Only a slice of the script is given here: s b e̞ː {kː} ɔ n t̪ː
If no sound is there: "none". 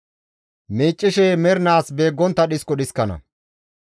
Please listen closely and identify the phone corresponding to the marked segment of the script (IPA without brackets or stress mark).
ɡː